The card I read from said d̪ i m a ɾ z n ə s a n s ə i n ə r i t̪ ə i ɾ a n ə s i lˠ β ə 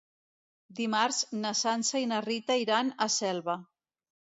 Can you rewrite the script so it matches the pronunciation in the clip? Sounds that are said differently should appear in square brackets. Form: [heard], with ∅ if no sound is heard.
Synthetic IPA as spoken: d̪ i m a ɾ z n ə s a n s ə i n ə r i t̪ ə i ɾ a n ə s [ɛ] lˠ β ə